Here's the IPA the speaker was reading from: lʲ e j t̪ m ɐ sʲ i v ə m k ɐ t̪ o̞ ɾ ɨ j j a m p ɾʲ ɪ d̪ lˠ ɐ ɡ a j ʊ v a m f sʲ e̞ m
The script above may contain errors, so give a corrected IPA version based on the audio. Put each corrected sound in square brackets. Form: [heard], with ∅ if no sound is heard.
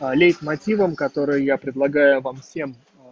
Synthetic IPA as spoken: lʲ e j t̪ m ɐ [tʲ] i v ə m k ɐ t̪ o̞ ɾ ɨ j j a [∅] p ɾʲ ɪ d̪ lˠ ɐ ɡ a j ʊ v a m f sʲ e̞ m